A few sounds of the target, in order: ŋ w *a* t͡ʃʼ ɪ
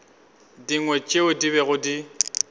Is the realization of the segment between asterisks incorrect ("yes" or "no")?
yes